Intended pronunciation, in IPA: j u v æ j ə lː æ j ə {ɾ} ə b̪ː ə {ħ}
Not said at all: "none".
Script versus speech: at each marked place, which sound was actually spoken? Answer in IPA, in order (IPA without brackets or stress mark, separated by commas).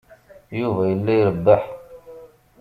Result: ɾ, ħ